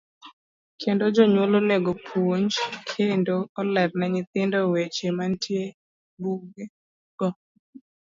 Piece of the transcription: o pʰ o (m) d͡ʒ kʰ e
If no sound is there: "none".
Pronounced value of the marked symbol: ɲ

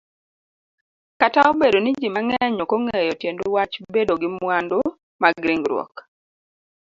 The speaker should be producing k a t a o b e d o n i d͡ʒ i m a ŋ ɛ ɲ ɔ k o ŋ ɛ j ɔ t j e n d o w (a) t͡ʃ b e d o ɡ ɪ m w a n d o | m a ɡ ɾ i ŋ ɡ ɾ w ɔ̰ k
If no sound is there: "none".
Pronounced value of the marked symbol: a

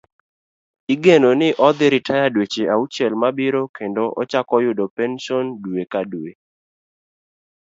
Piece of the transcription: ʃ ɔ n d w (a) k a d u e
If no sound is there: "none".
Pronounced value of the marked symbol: e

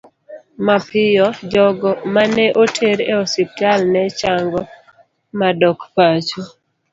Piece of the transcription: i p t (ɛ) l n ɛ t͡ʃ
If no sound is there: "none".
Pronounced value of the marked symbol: a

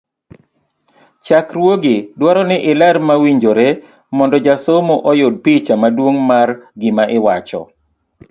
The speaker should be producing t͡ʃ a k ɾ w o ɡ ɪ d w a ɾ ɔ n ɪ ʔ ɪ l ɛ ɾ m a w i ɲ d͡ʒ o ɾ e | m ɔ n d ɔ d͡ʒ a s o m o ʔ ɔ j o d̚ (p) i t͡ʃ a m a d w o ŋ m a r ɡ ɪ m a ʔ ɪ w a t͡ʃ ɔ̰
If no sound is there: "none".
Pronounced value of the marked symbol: p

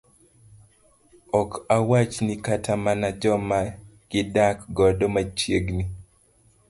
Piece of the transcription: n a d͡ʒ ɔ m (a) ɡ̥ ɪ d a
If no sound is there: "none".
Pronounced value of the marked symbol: a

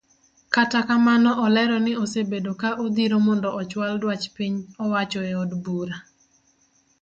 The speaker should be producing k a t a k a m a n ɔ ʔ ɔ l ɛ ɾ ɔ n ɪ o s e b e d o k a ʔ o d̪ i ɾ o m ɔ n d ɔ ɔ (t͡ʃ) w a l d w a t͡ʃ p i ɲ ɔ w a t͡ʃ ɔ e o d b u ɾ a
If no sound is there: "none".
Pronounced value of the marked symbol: t͡ʃ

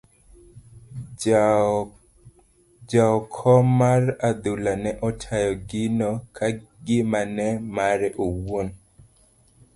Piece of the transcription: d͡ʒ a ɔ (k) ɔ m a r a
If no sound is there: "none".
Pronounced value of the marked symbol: kʰ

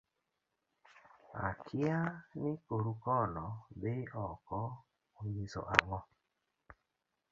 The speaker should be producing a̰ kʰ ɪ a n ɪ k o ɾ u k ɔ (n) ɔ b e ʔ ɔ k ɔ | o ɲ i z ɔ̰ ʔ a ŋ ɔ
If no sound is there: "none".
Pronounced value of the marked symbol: n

